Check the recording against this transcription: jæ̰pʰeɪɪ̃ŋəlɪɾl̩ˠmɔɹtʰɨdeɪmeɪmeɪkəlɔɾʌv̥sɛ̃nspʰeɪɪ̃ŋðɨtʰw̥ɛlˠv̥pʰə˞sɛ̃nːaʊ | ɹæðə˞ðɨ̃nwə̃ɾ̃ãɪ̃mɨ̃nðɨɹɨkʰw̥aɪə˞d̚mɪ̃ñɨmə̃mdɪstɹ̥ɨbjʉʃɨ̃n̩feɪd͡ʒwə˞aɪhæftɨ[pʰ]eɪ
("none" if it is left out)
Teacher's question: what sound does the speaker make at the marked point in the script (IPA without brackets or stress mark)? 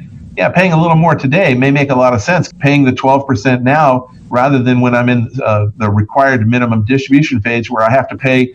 pʰ